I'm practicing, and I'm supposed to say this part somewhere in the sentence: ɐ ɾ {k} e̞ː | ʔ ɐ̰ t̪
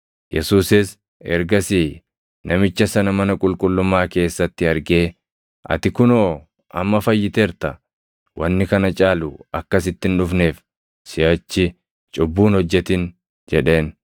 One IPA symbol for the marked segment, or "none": ɡ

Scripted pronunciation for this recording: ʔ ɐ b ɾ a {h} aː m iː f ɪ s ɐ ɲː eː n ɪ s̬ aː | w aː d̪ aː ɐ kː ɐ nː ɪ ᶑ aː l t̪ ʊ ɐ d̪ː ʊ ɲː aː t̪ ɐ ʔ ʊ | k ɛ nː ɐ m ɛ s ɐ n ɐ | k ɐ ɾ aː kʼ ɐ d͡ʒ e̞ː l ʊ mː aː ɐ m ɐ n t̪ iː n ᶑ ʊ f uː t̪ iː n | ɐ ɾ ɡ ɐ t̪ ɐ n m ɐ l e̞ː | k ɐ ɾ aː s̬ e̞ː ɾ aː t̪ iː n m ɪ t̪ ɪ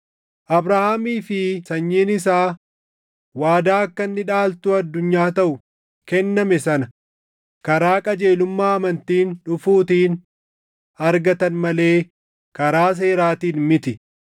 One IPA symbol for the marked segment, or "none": h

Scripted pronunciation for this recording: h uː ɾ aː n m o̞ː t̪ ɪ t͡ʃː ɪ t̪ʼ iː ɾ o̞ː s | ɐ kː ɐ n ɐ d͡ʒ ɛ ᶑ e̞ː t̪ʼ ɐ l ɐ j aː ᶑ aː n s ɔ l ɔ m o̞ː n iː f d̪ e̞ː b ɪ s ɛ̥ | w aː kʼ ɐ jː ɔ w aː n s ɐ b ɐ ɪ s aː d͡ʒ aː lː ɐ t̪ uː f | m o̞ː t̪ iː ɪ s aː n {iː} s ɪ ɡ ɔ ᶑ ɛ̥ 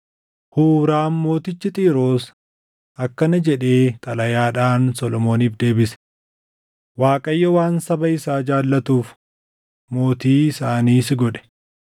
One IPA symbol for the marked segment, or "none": iː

